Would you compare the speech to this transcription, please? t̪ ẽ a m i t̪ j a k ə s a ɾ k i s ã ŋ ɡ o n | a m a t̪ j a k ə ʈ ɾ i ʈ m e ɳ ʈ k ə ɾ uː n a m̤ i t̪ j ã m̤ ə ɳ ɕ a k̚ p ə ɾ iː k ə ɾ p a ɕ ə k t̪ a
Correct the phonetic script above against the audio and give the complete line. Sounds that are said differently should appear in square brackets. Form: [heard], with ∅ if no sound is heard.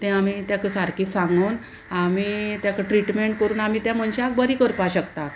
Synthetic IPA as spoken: t̪ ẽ a m i t̪ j a k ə s a ɾ k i s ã ŋ ɡ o n | a m [i] t̪ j a k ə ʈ ɾ i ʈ m e ɳ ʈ k ə ɾ uː n a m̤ i t̪ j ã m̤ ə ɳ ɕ a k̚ [b] ə ɾ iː k ə ɾ p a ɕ ə k t̪ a